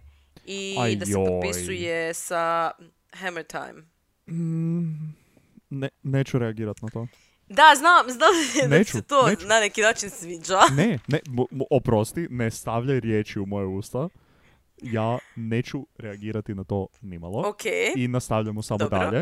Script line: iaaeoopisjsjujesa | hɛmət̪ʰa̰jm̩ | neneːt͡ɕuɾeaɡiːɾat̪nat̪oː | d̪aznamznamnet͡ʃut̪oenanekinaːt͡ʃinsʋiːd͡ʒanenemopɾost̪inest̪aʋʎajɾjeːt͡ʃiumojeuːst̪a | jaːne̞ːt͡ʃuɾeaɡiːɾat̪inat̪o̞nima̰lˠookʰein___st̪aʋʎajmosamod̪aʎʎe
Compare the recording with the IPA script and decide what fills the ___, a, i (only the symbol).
a